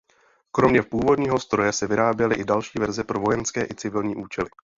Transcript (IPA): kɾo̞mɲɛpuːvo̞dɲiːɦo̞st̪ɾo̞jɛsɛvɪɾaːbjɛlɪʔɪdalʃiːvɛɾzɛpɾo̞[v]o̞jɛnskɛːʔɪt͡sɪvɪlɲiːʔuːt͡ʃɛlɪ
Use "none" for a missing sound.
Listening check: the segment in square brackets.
v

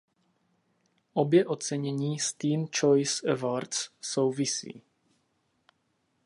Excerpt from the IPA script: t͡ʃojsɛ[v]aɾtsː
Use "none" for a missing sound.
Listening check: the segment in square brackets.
v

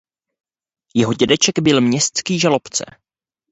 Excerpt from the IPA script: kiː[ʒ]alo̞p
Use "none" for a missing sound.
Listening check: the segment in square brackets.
ʒ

